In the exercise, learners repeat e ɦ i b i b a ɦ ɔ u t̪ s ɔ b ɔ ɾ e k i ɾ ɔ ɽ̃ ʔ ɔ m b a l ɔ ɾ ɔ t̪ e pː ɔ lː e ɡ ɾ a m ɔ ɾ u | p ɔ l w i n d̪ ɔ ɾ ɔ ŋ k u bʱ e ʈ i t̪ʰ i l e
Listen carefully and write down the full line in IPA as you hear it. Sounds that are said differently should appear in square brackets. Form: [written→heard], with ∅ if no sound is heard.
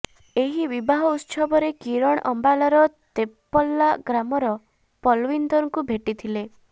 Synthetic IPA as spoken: e ɦ i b i b a ɦ ɔ u t̪ s ɔ b ɔ ɾ e k i ɾ ɔ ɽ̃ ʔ ɔ m b a l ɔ ɾ ɔ t̪ e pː ɔ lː [e→a] ɡ ɾ a m ɔ ɾ [u→ɔ] | p ɔ l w i n d̪ ɔ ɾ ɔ ŋ k u bʱ e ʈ i t̪ʰ i l e

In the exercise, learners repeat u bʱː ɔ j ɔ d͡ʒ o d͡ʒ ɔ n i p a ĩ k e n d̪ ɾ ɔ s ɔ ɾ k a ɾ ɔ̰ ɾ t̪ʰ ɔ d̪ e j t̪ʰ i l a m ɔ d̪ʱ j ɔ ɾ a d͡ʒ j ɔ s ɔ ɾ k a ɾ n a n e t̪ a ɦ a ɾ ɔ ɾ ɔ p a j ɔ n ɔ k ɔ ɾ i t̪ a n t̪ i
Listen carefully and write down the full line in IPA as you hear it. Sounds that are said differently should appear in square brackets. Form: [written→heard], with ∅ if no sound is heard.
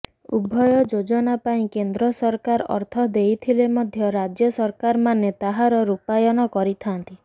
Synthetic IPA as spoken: u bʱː ɔ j ɔ d͡ʒ o d͡ʒ ɔ n [i→a] p a ĩ k e n d̪ ɾ ɔ s ɔ ɾ k a ɾ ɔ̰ ɾ t̪ʰ ɔ d̪ e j t̪ʰ i l [a→e] m ɔ d̪ʱ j ɔ ɾ a d͡ʒ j ɔ s ɔ ɾ k a ɾ [n→m] a n e t̪ a ɦ a ɾ ɔ ɾ [ɔ→u] p a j ɔ n ɔ k ɔ ɾ i [t̪→t̪ʰ] a n t̪ i

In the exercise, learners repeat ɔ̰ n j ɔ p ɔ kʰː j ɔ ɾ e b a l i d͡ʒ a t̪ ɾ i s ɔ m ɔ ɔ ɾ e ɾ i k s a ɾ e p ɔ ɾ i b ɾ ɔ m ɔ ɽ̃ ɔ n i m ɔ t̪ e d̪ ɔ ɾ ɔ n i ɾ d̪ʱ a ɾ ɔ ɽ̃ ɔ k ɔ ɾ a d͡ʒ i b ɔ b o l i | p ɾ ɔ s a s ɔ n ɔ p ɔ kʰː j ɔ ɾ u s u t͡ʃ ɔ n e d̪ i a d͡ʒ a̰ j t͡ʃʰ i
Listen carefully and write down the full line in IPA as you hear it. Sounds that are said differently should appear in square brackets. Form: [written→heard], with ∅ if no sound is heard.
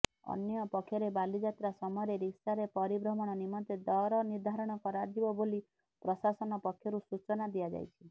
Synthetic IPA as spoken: ɔ̰ n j ɔ p ɔ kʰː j ɔ ɾ e b a l i d͡ʒ a t̪ ɾ [i→a] s ɔ m ɔ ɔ ɾ e ɾ i k s a ɾ e p ɔ ɾ i b ɾ ɔ m ɔ ɽ̃ ɔ n i m ɔ t̪ e d̪ ɔ ɾ ɔ n i ɾ d̪ʱ a ɾ ɔ ɽ̃ ɔ k ɔ ɾ a d͡ʒ i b ɔ b o l i | p ɾ ɔ s a s ɔ n ɔ p ɔ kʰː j ɔ ɾ u s u t͡ʃ ɔ n [e→a] d̪ i a d͡ʒ a̰ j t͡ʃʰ i

